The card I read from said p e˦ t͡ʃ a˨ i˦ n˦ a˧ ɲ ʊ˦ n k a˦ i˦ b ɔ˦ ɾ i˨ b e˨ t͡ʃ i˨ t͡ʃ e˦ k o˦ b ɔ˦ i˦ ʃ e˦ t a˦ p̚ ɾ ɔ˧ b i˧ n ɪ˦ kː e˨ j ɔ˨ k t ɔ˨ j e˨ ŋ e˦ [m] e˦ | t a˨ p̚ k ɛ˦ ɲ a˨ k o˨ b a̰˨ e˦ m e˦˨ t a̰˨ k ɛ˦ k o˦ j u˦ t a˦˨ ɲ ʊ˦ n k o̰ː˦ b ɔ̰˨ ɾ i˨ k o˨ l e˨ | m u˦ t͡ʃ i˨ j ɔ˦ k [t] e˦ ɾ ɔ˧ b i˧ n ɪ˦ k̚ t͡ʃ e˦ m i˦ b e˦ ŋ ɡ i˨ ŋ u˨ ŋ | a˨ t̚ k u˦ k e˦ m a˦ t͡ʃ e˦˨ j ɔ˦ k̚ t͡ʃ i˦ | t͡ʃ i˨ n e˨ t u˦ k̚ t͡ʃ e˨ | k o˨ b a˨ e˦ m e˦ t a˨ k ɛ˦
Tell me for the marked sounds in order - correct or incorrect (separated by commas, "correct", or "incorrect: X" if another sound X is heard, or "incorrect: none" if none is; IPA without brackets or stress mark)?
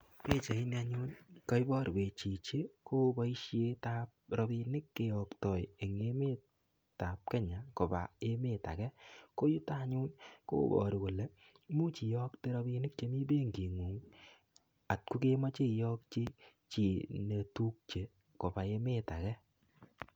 correct, correct